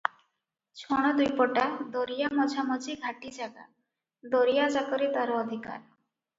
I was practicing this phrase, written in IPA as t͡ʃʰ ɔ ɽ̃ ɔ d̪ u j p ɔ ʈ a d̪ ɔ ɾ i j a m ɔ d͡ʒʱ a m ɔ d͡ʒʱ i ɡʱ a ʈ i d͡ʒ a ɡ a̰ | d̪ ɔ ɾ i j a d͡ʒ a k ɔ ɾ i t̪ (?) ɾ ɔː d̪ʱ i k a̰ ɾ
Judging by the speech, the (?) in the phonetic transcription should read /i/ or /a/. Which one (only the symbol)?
a